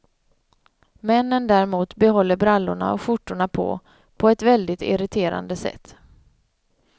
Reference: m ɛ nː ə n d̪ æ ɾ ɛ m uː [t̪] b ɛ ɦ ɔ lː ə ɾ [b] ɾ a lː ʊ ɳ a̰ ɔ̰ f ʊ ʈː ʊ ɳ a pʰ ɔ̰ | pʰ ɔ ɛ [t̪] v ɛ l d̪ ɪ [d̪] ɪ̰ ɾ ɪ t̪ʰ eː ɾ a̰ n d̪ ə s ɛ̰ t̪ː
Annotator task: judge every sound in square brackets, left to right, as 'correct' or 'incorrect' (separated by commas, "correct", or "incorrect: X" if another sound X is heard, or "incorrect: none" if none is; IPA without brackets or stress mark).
correct, correct, correct, incorrect: t̪